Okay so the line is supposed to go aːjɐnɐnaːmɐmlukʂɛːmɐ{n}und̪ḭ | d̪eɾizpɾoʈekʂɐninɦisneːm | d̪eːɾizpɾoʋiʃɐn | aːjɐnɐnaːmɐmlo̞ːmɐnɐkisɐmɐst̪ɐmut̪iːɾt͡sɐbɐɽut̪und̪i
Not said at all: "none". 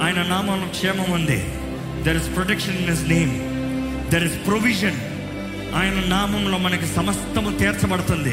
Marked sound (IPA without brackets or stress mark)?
m